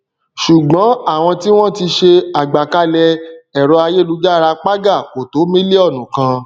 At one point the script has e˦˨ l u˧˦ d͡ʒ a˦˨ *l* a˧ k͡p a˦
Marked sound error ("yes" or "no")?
yes